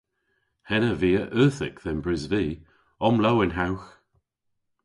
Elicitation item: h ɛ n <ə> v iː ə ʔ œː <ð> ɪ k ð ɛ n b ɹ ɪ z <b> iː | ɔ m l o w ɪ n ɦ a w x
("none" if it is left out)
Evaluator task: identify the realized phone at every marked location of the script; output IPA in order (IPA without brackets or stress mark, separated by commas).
ə, θ, v